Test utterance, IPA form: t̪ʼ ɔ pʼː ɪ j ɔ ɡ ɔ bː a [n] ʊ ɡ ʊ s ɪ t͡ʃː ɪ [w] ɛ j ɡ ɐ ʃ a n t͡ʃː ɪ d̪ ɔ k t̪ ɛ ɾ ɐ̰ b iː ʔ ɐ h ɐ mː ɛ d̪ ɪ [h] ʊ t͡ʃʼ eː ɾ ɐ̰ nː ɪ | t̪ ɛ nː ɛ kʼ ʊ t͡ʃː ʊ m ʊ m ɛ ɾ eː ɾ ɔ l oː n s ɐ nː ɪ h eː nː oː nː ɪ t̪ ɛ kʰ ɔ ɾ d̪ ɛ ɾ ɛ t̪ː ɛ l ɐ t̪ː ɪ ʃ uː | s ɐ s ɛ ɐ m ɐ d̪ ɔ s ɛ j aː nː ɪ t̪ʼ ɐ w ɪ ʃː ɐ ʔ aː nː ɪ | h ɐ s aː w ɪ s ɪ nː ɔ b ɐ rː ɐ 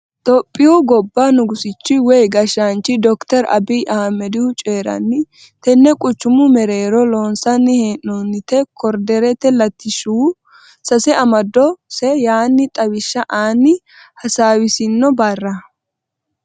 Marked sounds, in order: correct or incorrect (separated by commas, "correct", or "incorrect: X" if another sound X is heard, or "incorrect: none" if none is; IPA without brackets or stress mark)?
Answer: correct, correct, correct